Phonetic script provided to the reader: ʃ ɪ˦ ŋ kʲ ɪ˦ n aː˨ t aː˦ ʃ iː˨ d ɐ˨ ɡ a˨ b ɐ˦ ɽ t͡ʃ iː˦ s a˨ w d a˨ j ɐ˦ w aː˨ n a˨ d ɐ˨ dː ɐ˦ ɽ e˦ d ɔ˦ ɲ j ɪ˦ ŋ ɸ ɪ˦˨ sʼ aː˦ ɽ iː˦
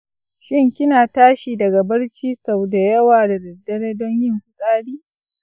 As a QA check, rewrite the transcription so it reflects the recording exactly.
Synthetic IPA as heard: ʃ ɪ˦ ŋ kʲ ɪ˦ n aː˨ t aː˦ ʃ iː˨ d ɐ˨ ɡ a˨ b ɐ˦ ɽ t͡ʃ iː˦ s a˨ w d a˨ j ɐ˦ w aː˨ d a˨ d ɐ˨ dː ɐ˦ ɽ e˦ d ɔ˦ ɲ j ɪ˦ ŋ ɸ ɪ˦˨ sʼ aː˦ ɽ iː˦